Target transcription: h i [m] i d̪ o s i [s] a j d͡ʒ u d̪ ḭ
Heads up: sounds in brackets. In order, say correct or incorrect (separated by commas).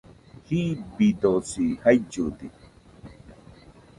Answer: incorrect, incorrect